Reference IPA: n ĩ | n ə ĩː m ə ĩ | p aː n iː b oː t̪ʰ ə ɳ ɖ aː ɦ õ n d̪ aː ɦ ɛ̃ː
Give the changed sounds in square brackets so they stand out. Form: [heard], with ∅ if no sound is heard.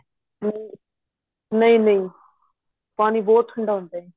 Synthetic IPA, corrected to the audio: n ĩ | n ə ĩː [n] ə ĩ | p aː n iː b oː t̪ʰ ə ɳ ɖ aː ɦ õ n d̪ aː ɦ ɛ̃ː